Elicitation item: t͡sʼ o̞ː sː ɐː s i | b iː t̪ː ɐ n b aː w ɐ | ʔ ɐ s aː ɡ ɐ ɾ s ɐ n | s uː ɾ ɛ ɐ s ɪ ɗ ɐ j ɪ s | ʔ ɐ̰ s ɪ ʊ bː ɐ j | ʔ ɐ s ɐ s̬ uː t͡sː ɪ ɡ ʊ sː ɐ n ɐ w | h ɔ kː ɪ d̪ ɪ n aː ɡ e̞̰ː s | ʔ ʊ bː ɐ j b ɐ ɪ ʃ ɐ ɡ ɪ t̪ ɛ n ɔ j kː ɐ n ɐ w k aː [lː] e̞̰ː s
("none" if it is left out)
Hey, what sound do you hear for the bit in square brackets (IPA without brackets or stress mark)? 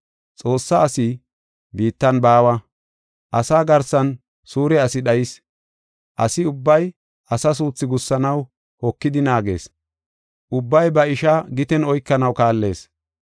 lː